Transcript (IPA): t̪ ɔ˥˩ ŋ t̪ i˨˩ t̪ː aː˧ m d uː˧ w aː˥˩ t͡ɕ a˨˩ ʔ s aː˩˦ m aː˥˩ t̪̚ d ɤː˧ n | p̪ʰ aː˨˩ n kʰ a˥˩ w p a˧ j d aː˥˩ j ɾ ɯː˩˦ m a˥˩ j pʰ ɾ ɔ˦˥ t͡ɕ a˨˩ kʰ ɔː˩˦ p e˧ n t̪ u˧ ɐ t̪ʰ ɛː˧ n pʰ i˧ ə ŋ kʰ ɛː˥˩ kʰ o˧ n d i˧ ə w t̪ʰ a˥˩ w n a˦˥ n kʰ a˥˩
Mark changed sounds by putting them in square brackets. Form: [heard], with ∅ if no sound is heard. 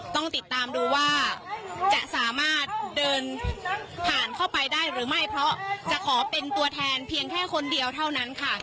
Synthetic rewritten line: t̪ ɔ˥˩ ŋ t̪ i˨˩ t̪ː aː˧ m d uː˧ w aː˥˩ t͡ɕ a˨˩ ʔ s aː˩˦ m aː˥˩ t̪̚ d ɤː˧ n | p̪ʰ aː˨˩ n kʰ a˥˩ w p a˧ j d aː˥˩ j ɾ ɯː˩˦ m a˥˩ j pʰ ɾ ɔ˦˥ t͡ɕ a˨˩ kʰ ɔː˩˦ p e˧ n t̪ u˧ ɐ t̪ʰ ɛː˧ n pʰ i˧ ə ŋ kʰ ɛː˥˩ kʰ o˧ n d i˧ ə w t̪ʰ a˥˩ w n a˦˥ n kʰ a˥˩